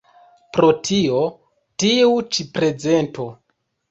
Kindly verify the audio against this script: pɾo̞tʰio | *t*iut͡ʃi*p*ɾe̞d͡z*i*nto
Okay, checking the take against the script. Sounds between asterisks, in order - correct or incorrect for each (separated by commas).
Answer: correct, correct, incorrect